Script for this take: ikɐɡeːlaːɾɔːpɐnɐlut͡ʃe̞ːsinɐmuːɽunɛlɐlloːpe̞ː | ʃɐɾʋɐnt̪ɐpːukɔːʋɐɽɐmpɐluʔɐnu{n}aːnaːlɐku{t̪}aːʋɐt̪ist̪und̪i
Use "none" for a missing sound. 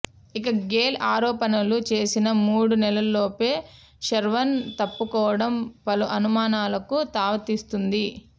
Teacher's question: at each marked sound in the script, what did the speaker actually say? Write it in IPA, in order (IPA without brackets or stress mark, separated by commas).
m, t̪